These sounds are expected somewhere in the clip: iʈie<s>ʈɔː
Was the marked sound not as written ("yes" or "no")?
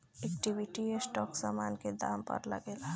no